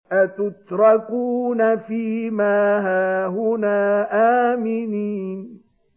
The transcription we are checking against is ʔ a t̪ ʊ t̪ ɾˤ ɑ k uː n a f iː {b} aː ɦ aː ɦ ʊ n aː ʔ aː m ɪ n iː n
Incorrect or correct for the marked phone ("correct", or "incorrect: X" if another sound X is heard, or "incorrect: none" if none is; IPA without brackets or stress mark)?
incorrect: m